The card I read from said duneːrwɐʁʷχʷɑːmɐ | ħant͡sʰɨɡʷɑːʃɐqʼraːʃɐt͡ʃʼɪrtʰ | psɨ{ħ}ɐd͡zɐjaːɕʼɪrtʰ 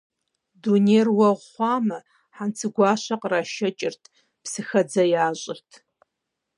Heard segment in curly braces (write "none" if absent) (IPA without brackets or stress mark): x